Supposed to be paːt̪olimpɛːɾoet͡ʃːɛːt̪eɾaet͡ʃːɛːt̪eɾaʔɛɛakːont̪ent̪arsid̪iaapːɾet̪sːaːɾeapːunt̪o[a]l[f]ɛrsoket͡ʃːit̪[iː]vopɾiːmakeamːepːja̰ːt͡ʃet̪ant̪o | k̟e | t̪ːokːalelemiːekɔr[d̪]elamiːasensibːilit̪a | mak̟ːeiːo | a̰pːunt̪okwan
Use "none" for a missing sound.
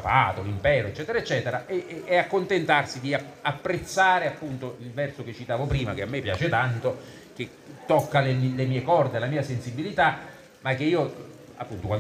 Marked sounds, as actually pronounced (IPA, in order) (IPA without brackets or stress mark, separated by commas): i, v, aː, d̪